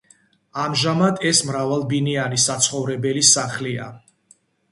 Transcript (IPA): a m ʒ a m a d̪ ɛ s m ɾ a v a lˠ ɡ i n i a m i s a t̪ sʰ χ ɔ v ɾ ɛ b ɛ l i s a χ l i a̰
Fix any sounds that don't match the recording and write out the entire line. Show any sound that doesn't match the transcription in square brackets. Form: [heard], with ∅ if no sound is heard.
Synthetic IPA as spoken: a m ʒ a m a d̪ ɛ s m ɾ a v a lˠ [b] i n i a [n] i s a t̪ sʰ χ ɔ v ɾ ɛ b ɛ l i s a χ l i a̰